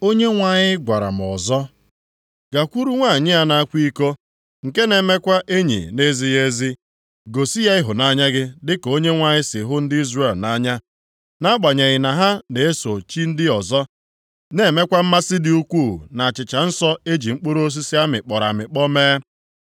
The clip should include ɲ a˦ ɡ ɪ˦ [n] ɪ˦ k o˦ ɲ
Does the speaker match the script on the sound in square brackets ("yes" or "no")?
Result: no